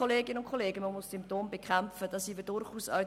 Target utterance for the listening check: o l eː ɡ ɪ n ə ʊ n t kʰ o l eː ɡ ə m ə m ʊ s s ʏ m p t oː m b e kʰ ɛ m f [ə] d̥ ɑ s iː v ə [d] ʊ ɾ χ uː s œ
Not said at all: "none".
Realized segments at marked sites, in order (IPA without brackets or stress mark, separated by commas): ə, d